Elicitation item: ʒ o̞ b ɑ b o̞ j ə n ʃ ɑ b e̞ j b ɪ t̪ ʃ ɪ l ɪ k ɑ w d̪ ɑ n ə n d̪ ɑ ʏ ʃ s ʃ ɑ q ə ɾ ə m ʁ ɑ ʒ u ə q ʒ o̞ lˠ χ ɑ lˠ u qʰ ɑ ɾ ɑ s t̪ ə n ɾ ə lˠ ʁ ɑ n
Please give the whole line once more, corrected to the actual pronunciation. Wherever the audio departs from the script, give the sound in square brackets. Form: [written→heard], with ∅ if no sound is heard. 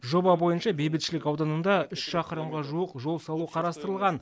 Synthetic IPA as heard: ʒ o̞ b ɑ b o̞ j ə n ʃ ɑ b e̞ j b ɪ t̪ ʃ ɪ l ɪ k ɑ w d̪ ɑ n ə n d̪ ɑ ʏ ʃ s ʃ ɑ q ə ɾ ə m ʁ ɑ ʒ u ə q ʒ o̞ lˠ [χ→s] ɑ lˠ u qʰ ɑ ɾ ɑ s t̪ ə [n→∅] ɾ ə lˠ ʁ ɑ n